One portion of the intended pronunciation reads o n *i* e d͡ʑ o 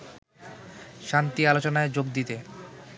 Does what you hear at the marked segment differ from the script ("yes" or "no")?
yes